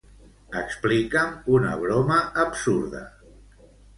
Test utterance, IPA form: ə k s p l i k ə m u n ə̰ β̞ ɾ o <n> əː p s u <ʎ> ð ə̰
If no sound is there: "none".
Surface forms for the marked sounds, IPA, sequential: m, ɾ

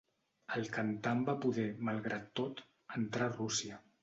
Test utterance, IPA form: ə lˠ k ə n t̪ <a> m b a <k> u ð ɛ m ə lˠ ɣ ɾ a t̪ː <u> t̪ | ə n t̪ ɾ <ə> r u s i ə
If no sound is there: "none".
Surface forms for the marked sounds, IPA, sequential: a, p, o, a

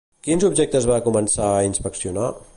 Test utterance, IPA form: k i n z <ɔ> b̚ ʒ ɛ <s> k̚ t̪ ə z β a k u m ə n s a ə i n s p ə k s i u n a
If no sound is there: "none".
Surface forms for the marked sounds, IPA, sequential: u, none

